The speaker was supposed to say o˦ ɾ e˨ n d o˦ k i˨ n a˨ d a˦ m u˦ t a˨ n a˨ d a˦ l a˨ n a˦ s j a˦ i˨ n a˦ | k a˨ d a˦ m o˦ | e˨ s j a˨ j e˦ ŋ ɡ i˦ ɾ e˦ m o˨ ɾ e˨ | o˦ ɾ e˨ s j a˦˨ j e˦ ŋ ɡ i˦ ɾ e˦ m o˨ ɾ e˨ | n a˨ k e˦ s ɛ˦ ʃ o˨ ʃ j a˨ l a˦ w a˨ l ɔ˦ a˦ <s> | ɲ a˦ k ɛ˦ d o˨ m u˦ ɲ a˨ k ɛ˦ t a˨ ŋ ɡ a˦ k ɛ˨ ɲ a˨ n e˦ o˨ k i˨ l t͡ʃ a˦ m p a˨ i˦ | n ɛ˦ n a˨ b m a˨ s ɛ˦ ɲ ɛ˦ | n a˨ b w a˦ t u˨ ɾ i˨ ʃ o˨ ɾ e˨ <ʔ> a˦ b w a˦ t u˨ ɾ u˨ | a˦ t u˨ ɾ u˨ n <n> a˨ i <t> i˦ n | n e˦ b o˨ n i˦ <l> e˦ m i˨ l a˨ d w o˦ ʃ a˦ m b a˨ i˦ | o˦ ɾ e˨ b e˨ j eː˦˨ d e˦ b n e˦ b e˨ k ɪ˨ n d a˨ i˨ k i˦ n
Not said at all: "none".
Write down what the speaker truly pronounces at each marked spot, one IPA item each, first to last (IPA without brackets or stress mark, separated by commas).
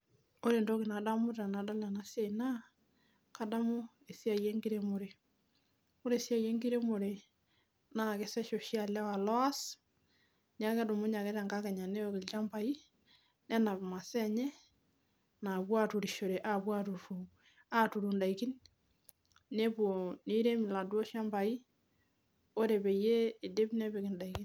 s, ʔ, d, k, ɾ